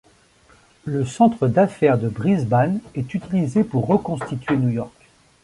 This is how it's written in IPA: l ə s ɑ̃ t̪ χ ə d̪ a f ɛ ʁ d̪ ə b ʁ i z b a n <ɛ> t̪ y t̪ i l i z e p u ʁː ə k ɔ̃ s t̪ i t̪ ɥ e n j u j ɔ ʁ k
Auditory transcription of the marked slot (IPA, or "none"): ɛ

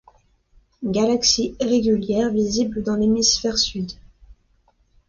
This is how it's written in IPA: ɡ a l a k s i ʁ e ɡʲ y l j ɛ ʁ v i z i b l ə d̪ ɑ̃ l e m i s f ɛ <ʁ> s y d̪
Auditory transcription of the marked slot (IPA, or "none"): ʁ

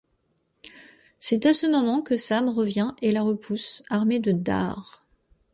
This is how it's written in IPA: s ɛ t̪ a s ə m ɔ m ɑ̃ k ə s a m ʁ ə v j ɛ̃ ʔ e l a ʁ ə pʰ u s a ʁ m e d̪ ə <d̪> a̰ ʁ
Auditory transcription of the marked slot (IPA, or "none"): d̪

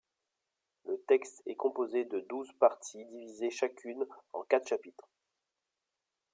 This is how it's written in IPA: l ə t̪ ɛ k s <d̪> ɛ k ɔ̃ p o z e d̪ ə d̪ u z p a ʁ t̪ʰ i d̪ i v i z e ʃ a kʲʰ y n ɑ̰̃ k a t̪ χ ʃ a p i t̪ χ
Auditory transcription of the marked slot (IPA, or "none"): t̪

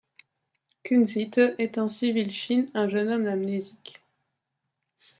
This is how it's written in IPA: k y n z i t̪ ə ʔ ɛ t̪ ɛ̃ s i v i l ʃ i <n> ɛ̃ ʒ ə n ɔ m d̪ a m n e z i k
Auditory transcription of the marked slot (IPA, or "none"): n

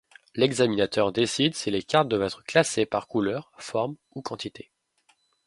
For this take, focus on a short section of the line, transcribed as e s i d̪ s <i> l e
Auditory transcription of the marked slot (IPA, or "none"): i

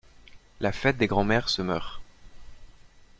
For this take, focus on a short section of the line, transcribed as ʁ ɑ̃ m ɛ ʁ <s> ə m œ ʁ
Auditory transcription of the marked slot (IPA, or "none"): s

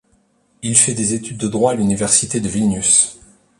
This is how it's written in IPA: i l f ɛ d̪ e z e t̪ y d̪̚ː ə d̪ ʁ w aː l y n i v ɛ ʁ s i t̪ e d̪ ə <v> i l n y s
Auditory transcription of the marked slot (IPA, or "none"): v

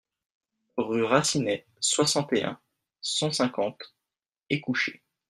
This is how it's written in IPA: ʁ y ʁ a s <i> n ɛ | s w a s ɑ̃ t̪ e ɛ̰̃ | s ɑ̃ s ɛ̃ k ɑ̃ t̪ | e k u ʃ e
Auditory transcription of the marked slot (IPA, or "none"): i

